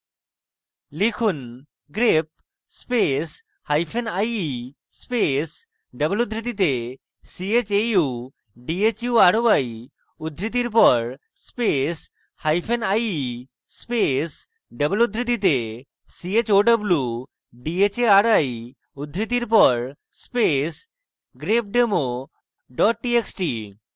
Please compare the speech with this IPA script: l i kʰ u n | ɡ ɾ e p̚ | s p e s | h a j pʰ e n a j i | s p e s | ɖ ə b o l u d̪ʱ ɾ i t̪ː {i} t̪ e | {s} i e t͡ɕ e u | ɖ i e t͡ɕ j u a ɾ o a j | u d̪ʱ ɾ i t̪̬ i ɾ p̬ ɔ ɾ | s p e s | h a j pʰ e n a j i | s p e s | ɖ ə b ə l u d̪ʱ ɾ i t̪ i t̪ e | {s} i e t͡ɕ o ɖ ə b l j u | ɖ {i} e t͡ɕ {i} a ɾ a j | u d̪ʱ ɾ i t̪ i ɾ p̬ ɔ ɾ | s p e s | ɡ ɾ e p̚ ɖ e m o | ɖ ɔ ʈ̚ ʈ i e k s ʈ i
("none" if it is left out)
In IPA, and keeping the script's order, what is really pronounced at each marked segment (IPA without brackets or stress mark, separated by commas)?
i, s, s, i, e